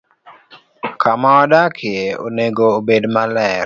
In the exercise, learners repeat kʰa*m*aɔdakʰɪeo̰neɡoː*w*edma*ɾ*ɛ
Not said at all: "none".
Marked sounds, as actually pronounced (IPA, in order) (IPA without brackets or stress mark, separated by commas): m, b, l